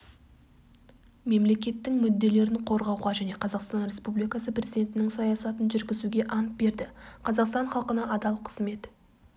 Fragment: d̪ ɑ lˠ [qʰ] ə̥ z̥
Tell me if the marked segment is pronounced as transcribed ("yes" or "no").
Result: yes